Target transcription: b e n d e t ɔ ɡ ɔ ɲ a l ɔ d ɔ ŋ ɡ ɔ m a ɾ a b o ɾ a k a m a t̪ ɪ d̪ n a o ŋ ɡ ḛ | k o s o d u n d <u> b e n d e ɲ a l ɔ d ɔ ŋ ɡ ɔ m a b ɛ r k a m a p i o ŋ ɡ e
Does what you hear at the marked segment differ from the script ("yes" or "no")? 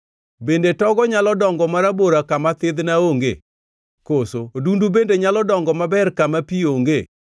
no